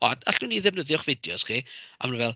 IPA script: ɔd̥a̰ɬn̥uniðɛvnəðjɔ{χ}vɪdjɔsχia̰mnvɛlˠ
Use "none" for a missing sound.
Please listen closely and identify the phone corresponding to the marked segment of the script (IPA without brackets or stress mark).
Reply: χ